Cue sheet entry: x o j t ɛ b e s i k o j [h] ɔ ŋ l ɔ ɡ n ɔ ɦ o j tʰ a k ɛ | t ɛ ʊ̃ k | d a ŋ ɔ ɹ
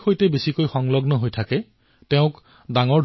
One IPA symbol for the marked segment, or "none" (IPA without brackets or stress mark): x